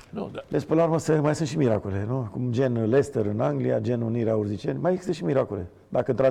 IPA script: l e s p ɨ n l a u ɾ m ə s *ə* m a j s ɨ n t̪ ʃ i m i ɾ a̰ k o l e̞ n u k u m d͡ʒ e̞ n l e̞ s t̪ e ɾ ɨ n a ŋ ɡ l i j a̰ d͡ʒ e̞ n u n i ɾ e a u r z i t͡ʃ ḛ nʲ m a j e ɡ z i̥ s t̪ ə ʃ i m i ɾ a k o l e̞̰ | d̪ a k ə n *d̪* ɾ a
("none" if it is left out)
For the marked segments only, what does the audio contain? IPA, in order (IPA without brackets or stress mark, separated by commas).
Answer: ə, t̪